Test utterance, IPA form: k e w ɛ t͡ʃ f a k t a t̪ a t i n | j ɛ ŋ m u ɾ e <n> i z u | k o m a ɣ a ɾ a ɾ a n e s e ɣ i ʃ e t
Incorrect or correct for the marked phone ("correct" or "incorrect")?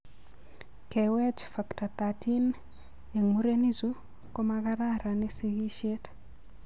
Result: correct